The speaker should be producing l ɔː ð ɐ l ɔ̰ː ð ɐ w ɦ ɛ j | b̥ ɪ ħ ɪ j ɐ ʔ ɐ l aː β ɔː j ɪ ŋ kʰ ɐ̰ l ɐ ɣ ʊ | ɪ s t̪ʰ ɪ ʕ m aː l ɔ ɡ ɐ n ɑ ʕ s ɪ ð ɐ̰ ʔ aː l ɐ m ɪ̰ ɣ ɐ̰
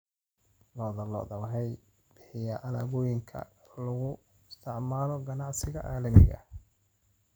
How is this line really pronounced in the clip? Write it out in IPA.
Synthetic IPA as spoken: l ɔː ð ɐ l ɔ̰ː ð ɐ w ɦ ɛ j | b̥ ɪ ħ ɪ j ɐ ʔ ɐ l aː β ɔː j ɪ ŋ kʰ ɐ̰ l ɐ ɣ ʊ | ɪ s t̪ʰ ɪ ʕ m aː l ɔ ɡ ɐ n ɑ ʕ s ɪ ɣ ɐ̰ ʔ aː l ɐ m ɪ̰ ɣ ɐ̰